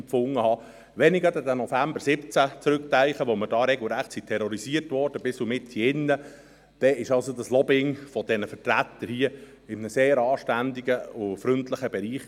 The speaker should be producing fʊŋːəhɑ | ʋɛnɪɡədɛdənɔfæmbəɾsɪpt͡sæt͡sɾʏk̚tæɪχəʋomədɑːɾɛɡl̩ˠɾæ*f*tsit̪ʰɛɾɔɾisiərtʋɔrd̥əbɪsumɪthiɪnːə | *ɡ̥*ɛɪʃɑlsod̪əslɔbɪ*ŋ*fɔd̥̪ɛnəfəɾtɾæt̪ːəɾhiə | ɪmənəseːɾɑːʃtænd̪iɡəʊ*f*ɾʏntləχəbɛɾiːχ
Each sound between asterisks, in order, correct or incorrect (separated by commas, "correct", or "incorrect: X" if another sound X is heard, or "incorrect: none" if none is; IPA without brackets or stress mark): incorrect: χ, incorrect: d̥, correct, correct